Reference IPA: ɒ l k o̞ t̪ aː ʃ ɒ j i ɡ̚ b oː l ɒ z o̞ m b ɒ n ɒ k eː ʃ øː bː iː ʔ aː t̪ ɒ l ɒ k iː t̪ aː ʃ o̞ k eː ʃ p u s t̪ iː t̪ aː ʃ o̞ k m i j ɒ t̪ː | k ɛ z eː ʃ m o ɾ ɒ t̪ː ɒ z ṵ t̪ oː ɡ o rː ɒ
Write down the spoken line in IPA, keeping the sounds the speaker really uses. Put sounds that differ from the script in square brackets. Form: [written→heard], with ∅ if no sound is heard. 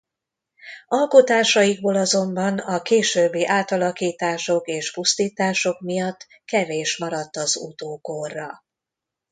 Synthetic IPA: ɒ l k o̞ t̪ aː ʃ ɒ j i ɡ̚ b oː l ɒ z o̞ m b ɒ n ɒ k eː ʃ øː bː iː ʔ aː t̪ ɒ l ɒ k iː t̪ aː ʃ o̞ k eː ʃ p u s t̪ iː t̪ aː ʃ o̞ k m i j ɒ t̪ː | k ɛ [z→v] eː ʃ m [o→ɒ] ɾ ɒ t̪ː ɒ z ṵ t̪ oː [ɡ→k] o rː ɒ